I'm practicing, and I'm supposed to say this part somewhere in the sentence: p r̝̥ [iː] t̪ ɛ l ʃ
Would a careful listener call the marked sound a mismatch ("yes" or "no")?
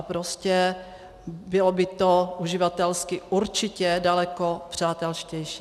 yes